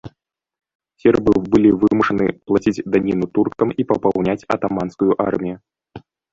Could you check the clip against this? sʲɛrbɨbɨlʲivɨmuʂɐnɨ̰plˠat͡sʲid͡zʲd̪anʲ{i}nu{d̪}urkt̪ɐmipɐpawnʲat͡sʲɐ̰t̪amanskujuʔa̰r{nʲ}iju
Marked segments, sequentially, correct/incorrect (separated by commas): correct, incorrect, incorrect